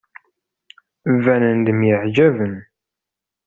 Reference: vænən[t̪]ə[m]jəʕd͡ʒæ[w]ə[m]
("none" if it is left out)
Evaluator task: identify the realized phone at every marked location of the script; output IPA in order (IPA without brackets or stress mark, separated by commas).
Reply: d̪, m, v, n